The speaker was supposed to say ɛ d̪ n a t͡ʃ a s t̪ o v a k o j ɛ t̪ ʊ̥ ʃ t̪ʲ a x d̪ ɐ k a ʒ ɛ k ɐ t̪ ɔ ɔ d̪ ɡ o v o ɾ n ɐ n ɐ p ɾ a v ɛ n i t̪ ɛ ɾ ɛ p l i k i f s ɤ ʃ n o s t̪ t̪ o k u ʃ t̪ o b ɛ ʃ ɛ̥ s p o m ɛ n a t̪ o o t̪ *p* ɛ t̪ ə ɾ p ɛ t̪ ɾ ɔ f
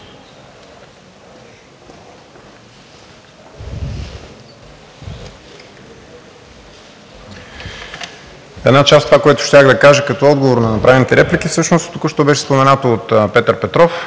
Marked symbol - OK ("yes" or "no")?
yes